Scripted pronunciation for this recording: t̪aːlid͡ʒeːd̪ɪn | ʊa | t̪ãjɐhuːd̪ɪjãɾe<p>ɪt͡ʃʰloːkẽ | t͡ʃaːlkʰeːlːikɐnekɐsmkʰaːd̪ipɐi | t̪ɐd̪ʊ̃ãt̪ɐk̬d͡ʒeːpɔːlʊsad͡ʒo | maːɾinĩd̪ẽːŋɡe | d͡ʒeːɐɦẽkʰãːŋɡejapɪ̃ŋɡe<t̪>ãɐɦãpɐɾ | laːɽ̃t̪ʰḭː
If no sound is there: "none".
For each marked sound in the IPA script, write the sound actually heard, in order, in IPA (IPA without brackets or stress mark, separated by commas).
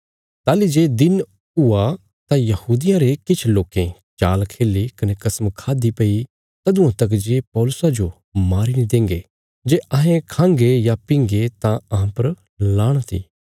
k, t̪